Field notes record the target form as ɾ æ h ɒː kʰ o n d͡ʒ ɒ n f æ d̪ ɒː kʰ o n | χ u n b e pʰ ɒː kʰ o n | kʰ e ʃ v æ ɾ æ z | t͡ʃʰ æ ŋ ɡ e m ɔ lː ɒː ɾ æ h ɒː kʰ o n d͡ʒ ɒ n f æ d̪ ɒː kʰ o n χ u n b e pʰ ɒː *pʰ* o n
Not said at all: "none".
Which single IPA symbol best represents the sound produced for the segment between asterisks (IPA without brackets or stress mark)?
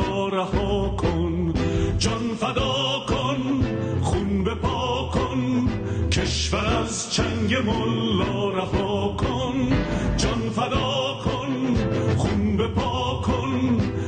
kʰ